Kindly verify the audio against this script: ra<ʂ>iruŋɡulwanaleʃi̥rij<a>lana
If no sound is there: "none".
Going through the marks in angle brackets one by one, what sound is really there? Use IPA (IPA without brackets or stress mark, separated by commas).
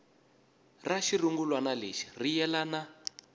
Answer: ʃ, ɛ